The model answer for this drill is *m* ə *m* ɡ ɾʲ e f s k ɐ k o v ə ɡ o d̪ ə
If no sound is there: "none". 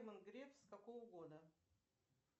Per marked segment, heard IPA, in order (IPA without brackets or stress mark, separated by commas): m, n